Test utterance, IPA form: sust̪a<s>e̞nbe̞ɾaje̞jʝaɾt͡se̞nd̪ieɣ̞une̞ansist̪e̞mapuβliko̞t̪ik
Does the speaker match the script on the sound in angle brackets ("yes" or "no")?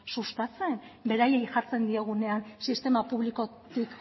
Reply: no